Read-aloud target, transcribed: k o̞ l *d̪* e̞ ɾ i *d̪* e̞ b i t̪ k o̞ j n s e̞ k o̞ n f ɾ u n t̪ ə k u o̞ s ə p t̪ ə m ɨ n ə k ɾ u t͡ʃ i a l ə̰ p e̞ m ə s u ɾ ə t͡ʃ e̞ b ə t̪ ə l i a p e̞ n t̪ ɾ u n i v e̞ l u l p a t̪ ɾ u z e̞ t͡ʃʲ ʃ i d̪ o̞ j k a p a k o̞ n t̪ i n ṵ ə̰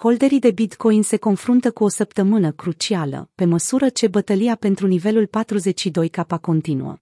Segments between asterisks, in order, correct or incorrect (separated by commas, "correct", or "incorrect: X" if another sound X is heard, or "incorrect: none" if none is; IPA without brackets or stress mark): correct, correct